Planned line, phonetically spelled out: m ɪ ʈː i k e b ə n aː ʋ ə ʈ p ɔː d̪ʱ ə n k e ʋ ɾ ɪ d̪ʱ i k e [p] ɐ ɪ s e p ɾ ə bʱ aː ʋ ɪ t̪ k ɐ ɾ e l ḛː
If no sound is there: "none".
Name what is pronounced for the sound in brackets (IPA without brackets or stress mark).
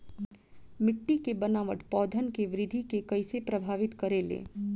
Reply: k